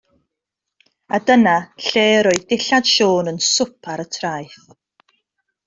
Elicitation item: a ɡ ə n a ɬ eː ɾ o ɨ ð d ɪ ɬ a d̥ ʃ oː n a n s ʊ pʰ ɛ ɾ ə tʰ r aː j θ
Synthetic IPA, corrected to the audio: a d ə n a ɬ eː ɾ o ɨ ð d ɪ ɬ a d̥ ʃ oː n ə n s ʊ pʰ a ɾ ə tʰ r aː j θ